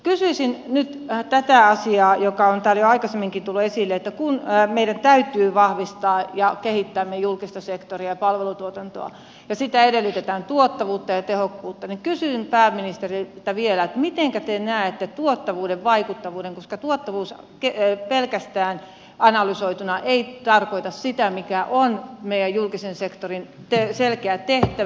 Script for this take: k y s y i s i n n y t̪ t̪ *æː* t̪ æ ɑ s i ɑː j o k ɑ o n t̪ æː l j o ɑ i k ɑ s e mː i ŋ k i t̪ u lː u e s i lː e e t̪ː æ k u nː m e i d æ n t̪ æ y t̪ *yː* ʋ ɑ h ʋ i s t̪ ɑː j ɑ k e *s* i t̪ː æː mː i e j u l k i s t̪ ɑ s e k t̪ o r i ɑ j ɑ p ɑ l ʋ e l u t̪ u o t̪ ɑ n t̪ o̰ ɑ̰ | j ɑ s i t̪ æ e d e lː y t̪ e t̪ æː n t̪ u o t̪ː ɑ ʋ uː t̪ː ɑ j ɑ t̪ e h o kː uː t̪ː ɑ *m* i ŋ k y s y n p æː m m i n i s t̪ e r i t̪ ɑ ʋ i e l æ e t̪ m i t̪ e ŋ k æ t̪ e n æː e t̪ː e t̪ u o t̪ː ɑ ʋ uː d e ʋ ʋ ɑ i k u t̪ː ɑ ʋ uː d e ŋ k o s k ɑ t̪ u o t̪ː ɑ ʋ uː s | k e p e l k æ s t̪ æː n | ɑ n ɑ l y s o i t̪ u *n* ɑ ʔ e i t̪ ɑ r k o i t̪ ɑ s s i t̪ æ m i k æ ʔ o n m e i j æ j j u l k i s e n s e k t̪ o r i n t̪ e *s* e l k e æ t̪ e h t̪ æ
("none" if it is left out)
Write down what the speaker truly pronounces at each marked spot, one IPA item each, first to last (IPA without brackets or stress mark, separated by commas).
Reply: æ, yː, h, n, n, s